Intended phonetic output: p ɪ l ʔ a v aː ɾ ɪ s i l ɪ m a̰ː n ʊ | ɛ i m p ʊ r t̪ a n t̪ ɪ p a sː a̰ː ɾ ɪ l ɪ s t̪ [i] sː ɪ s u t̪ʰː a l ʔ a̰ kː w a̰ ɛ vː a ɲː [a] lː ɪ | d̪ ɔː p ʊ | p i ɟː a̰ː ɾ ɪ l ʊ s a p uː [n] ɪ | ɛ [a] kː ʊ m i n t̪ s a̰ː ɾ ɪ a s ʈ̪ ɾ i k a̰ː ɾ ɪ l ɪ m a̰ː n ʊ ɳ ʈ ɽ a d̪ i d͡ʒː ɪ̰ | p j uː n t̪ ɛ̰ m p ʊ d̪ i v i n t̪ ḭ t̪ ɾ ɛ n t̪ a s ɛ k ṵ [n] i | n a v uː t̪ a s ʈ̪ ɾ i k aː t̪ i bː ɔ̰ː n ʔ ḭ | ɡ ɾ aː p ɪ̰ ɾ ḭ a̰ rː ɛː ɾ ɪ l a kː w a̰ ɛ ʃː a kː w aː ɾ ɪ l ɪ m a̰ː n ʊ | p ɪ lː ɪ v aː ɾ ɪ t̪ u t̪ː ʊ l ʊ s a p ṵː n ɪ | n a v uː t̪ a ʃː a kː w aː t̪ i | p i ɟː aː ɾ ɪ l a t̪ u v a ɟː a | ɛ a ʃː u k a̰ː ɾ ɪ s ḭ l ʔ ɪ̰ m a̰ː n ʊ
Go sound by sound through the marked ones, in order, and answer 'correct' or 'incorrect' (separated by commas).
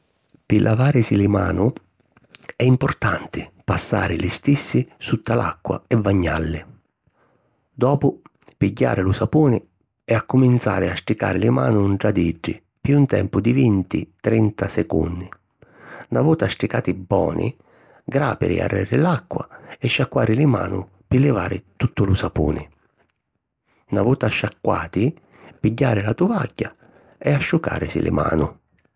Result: correct, correct, correct, correct, incorrect